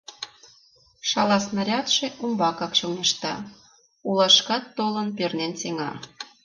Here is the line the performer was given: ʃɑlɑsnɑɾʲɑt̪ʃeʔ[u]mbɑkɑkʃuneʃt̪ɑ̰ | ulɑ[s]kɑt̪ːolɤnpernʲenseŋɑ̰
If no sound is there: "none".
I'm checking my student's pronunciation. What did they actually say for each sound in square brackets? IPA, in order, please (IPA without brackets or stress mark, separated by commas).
u, ʃ